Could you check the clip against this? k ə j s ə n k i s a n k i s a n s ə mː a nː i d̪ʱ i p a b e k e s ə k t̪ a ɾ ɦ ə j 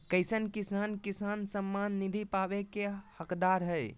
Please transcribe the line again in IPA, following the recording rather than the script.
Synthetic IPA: k ə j s ə n k i s a n k i s a n s ə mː a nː i d̪ʱ i p a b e k e h ə k d̪ a ɾ ɦ ə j